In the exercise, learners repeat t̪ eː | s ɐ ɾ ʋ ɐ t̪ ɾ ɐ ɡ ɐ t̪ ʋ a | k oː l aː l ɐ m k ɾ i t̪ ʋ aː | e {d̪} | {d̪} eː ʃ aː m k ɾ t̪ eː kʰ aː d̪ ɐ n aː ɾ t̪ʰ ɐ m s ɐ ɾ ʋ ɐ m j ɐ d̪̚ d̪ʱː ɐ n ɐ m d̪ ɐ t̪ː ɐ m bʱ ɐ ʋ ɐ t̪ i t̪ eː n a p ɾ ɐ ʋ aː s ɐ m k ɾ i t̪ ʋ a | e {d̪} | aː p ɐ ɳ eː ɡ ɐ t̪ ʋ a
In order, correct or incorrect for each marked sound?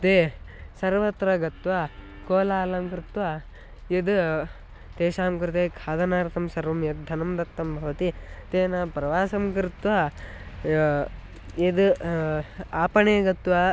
correct, incorrect: t̪, correct

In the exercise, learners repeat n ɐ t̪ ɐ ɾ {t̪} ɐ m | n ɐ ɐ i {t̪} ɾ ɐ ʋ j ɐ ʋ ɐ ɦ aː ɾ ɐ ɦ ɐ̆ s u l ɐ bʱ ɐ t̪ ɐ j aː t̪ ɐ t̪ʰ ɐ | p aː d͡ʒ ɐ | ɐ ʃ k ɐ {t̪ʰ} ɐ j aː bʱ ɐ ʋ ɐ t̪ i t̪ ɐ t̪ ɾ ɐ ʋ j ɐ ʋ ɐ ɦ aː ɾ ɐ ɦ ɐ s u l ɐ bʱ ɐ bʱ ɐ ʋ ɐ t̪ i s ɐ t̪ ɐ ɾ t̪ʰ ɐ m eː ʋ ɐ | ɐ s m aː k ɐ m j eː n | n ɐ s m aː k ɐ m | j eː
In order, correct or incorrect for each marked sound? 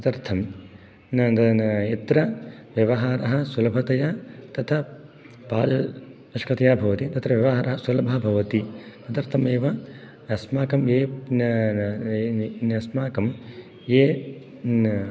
incorrect: t̪ʰ, correct, incorrect: t̪

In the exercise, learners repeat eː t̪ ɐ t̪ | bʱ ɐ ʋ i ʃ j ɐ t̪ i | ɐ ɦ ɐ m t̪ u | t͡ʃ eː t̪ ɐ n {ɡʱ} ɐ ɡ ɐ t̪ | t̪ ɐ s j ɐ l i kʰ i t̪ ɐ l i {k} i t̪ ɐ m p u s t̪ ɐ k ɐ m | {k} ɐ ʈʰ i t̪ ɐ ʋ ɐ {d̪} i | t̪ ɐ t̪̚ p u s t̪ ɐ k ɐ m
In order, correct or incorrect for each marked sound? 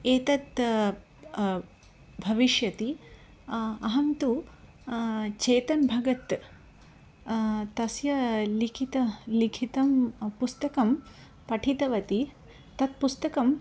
incorrect: bʱ, incorrect: kʰ, incorrect: p, incorrect: t̪

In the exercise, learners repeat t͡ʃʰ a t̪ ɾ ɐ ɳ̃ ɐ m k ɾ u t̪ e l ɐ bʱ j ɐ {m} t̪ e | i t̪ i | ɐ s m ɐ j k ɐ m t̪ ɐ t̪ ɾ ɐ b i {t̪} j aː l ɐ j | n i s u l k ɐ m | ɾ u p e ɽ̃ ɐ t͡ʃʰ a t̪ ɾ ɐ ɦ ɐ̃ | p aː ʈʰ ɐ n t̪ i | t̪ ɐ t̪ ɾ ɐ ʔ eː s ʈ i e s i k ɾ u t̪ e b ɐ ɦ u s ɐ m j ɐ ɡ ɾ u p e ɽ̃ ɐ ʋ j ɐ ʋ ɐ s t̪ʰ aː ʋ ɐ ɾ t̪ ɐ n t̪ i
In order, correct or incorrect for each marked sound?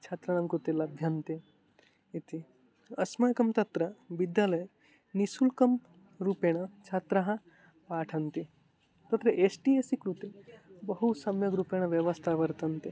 incorrect: n, incorrect: d̪

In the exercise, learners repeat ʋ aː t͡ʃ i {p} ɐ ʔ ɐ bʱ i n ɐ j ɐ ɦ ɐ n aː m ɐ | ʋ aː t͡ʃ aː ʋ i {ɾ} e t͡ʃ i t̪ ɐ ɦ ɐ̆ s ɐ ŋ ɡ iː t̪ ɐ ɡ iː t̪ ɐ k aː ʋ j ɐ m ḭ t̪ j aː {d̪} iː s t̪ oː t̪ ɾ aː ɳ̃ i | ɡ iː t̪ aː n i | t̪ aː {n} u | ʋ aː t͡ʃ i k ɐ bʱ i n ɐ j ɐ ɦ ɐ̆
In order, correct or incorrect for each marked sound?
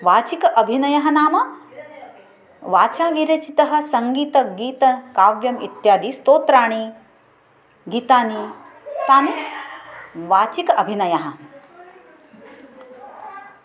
incorrect: k, correct, correct, correct

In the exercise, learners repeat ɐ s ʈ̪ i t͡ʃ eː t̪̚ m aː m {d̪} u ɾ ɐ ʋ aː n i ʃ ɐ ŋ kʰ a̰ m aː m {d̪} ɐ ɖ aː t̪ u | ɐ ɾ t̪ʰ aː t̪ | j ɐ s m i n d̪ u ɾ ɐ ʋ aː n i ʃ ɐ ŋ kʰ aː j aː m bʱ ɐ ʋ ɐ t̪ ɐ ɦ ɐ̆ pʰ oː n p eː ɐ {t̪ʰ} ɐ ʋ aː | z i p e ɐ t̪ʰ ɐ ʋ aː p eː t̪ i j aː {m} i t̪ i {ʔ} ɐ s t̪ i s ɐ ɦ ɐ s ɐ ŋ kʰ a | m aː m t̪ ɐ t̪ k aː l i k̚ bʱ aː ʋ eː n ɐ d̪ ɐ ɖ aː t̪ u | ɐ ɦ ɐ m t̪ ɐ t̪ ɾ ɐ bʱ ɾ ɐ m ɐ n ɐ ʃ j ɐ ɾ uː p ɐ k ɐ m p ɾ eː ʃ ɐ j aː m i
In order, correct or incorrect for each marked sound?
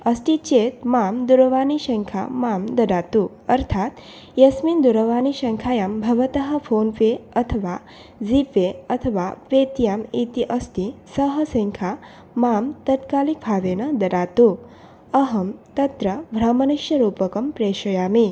correct, correct, correct, correct, correct

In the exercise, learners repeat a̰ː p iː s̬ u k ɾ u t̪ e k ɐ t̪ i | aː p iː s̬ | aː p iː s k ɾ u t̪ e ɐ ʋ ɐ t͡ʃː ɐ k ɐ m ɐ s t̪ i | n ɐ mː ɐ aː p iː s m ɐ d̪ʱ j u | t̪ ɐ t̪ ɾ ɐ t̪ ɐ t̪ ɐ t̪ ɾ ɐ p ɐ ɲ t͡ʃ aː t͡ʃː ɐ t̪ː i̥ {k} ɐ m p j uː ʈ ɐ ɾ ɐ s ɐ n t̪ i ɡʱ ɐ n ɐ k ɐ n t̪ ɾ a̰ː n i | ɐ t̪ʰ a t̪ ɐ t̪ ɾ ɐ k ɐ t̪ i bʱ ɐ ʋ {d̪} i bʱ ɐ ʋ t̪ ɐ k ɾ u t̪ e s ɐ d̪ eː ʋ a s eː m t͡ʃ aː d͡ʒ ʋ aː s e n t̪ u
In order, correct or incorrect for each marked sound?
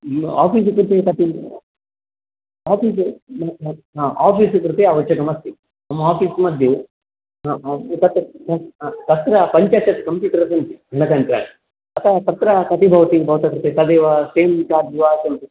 correct, incorrect: t̪

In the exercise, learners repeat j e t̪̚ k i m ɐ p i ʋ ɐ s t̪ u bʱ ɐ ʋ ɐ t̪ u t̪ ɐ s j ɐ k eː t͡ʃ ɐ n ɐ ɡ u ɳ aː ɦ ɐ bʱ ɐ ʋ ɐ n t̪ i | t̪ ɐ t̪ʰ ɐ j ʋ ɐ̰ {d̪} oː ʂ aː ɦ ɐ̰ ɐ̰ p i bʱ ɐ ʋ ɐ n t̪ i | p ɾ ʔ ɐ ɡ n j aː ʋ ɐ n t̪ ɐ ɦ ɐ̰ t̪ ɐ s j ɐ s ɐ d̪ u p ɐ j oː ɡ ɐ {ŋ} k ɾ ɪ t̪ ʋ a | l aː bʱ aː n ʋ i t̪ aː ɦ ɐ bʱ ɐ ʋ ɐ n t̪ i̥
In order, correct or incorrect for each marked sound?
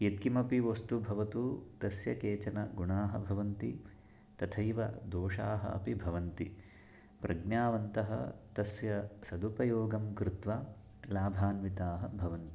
correct, incorrect: m

